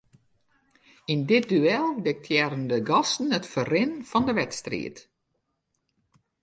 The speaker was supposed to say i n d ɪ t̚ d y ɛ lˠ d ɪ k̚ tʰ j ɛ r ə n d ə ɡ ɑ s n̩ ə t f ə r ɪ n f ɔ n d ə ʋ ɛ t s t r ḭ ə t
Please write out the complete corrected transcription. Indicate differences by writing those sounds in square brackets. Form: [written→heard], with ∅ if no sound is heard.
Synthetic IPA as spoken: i n d ɪ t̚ d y ɛ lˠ d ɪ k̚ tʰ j ɛ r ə n d ə ɡ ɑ s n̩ ə t f ə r ɪ n f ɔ n d ə ʋ ɛ t s t r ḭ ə t

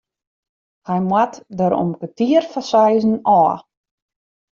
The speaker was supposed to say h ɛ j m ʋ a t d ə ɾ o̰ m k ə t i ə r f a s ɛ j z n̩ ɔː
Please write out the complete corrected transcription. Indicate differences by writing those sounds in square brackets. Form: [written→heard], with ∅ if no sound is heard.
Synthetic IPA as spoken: h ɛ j m [ʋ→w] a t d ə ɾ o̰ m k ə t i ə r f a s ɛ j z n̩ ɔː

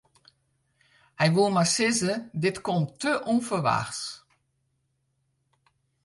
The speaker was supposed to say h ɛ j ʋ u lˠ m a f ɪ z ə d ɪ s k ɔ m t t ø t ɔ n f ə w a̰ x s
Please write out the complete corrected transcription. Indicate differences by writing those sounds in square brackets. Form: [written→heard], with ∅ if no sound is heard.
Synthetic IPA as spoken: h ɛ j ʋ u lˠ m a [f→s] ɪ z ə d ɪ [s→t] k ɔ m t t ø [t→ʔ] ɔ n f ə [w→ʋ] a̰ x s

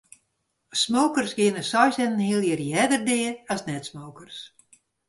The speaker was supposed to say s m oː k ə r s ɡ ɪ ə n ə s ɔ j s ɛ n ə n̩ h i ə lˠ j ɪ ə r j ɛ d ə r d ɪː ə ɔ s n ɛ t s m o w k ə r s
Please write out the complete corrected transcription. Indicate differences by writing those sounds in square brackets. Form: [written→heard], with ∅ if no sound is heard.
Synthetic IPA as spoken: s m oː k ə r s ɡ ɪ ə n ə s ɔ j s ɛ n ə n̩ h i ə lˠ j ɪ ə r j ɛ d ə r d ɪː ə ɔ s n ɛ t s m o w k ə r s

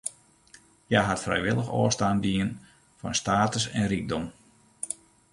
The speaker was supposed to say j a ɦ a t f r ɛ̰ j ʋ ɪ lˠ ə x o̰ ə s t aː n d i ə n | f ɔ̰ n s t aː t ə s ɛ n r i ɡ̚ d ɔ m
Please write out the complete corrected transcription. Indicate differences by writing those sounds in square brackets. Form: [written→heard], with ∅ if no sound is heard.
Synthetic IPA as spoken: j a ɦ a t f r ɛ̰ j ʋ ɪ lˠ ə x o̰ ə s t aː n d i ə n | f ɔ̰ n s t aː t ə s ɛ n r i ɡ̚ d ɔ m

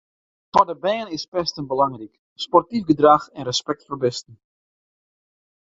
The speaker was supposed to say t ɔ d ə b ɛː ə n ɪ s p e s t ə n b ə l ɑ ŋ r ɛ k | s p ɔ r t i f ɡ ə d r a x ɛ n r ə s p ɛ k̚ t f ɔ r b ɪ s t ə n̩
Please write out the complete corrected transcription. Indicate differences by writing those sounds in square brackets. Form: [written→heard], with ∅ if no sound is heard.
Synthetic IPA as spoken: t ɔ d ə b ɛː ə n ɪ s p [e→ɛ] s t ə n b ə l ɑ ŋ r [ɛ→i] k | s p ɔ r t i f ɡ ə d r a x ɛ n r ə s p ɛ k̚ t f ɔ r b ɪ s t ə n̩

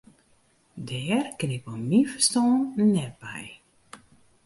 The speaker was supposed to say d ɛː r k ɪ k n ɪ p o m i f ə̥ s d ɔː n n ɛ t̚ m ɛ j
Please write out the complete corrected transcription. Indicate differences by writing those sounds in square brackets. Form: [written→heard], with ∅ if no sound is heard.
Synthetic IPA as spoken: d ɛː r k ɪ [k→∅] n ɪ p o m i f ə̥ s [d→t] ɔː n n ɛ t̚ [m→b] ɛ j

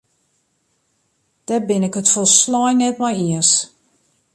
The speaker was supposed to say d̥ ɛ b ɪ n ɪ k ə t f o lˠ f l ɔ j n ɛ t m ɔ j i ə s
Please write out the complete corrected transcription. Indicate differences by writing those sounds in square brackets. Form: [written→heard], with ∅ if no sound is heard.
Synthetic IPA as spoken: d̥ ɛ b ɪ n ɪ k ə t f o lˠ [f→s] l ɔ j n ɛ t m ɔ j i ə s

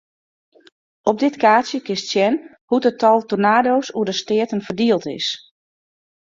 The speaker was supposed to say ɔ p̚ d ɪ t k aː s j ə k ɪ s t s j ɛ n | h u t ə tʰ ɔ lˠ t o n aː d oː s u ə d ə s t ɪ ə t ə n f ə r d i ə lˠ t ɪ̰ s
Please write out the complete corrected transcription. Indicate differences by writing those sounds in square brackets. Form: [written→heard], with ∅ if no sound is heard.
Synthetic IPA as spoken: ɔ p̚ d ɪ t k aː s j ə k ɪ s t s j ɛ n | h u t ə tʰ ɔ lˠ t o n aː d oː s u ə d ə s t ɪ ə t ə n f ə r d i ə lˠ t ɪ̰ s

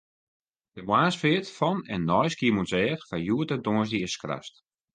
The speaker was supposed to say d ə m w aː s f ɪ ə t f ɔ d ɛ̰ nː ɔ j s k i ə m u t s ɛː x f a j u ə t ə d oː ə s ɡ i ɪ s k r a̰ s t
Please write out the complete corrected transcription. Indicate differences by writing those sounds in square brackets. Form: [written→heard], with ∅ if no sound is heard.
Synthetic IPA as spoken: d ə m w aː s f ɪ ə t f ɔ [d→n] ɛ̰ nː ɔ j s k i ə m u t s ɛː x f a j u ə t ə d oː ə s [ɡ→d] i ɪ s k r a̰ s t

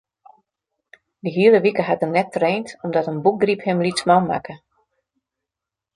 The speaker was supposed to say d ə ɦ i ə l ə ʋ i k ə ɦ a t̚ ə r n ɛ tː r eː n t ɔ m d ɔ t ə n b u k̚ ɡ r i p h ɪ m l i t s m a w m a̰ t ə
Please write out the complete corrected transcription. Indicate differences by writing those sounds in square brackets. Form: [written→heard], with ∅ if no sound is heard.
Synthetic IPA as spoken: d ə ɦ i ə l ə ʋ i k ə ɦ a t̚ ə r n ɛ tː r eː n t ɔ m d ɔ t ə n b u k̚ ɡ r i p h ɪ m l i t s m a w m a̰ [t→k] ə

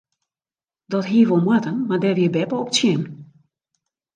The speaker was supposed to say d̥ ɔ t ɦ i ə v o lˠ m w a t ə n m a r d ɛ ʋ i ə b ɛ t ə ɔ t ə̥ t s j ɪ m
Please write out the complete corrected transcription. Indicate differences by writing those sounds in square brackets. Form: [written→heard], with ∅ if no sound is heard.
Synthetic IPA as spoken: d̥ ɔ t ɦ i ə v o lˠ m w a t ə n m a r d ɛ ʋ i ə b ɛ [t→p] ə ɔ [t→p] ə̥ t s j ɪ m

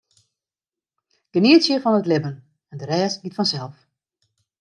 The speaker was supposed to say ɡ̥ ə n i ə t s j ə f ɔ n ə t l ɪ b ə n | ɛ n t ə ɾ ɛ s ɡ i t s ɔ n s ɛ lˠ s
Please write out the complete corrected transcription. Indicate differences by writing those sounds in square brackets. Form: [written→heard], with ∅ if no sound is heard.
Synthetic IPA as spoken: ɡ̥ ə n i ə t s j ə f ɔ n ə t l ɪ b ə n | ɛ n [t→d] ə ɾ [ɛ→ɛː] s ɡ i t [s→f] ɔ n s ɛ lˠ [s→f]

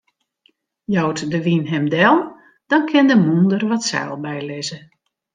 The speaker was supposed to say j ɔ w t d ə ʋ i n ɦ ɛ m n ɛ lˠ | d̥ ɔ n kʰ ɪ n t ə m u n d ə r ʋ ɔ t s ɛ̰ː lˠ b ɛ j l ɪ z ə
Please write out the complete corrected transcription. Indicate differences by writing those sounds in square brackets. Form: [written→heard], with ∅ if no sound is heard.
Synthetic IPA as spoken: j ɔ w t d ə ʋ i n ɦ ɛ m [n→d] ɛ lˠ | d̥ ɔ n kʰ ɪ n [t→d] ə m u n d ə r ʋ ɔ t s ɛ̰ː lˠ b ɛ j l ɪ z ə

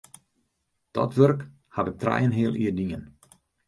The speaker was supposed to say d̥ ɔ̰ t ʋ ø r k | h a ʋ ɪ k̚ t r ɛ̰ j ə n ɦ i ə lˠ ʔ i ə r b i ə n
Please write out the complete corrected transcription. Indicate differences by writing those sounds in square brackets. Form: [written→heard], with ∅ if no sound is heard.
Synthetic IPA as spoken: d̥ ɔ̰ t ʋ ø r k | h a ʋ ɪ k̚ t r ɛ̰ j ə n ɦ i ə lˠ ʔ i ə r [b→d] i ə n

